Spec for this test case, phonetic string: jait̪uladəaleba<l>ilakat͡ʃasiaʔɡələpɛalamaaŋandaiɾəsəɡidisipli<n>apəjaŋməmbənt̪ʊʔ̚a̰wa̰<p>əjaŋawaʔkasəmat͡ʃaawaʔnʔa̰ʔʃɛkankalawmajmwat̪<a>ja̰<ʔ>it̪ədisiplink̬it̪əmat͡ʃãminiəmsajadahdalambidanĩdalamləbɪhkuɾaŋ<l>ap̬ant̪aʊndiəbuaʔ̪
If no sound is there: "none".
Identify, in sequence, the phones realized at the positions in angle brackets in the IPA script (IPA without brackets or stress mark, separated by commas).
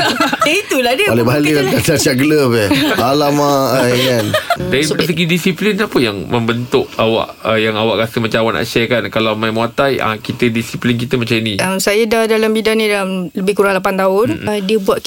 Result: l, n, ʔ, a, k, l